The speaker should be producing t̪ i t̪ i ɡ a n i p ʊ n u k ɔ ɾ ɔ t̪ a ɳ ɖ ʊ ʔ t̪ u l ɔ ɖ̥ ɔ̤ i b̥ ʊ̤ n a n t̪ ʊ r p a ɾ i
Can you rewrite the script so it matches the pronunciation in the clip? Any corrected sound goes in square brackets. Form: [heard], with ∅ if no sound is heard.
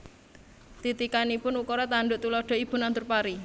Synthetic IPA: t̪ i t̪ i [k] a n i p ʊ n u k ɔ ɾ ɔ t̪ a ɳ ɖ ʊ ʔ t̪ u l ɔ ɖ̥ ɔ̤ i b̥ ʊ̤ n a n t̪ ʊ r p a ɾ i